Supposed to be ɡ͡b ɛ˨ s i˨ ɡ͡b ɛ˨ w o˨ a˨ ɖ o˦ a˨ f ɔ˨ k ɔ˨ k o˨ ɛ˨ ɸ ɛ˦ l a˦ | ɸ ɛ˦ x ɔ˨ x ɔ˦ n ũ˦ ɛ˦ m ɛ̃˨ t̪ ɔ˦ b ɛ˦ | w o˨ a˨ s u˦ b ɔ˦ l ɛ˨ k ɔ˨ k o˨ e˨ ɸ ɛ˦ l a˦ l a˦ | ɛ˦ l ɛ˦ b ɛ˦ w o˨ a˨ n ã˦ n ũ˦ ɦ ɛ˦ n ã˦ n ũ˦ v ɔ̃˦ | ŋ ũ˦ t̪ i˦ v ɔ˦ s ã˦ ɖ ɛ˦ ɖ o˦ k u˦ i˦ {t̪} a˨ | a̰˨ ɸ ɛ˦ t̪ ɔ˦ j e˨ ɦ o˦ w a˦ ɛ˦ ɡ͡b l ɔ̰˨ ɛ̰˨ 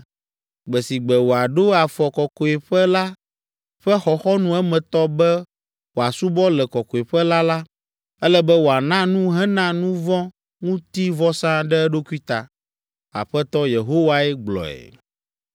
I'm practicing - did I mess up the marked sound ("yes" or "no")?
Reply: no